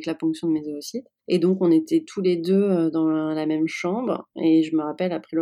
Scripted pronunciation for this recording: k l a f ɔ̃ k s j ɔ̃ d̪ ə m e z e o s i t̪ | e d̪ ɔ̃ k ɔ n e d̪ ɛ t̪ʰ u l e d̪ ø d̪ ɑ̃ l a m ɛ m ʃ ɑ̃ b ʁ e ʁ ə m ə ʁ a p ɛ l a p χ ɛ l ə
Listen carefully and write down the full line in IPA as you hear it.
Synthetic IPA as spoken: k l a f ɔ̃ k s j ɔ̃ d̪ ə m e z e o s i t̪ | e d̪ ɔ̃ k ɔ̃ n e t̪ ɛ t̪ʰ u l e d̪ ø d̪ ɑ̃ l a m ɛ m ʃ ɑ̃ b ʁ e ʒ ə m ə ʁ a p ɛ l a p χ ɛ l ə